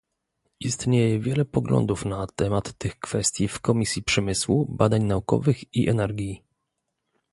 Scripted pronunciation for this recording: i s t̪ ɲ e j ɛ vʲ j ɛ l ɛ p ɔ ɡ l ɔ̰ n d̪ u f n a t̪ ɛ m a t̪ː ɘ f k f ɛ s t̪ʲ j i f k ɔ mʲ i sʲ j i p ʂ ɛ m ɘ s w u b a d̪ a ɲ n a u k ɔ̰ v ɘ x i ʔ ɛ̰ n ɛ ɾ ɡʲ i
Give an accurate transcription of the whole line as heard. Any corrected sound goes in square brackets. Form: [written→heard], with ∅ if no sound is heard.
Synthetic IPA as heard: i s t̪ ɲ e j ɛ vʲ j ɛ l ɛ p ɔ ɡ l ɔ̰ n d̪ u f n a t̪ ɛ m a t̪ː ɘ [f→x] k f ɛ s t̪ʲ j i f k ɔ mʲ i sʲ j i p ʂ ɛ m ɘ s w u b a d̪ a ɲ n a u k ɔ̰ v ɘ x i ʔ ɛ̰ n ɛ ɾ ɡʲ i